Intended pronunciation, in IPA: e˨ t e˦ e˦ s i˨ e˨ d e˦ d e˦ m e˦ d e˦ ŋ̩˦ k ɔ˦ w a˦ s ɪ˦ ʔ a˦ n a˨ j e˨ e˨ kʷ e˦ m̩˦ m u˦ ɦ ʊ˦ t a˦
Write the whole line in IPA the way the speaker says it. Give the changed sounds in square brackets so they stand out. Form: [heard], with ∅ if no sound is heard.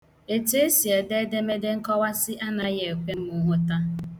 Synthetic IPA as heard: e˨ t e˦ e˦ s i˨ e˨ d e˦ d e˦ m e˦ d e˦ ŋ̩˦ k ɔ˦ w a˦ s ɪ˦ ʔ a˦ n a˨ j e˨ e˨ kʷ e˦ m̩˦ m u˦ ɦ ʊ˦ t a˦